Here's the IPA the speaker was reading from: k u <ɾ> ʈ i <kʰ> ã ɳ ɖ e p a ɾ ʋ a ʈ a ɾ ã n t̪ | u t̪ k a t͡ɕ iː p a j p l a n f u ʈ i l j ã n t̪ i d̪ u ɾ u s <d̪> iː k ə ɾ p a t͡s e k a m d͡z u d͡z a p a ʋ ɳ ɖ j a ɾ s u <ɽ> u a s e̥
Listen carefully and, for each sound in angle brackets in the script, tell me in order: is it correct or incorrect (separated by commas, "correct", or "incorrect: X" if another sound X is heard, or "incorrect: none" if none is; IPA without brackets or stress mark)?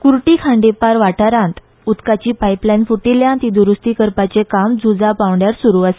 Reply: correct, correct, incorrect: t̪, incorrect: ɾ